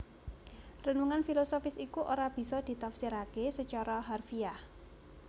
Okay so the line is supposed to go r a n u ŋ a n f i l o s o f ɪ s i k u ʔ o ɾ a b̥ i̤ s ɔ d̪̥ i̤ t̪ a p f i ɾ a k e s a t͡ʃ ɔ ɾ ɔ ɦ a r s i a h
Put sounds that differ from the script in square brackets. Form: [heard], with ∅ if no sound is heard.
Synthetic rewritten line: r [ə] n u ŋ a n f i l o s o f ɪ s i k u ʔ o ɾ a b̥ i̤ s ɔ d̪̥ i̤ t̪ a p [s] i ɾ a k e s [ə] t͡ʃ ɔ ɾ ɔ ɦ a r [f] i a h